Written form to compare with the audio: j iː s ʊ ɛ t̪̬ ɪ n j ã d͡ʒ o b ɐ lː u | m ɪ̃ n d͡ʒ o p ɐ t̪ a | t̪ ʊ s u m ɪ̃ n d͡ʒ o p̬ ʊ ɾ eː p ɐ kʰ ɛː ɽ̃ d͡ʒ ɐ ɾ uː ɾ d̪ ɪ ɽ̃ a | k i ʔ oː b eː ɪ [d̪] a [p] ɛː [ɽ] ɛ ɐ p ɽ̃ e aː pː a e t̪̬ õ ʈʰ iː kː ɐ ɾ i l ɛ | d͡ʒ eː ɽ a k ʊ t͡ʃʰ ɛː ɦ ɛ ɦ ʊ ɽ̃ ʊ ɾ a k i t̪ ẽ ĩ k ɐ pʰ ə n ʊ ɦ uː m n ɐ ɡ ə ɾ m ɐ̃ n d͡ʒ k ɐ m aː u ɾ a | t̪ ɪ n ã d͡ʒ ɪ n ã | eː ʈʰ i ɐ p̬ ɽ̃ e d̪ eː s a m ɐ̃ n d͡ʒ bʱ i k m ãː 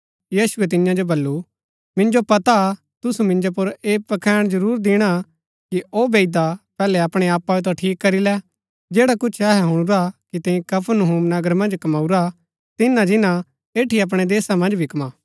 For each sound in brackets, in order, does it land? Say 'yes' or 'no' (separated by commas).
yes, yes, no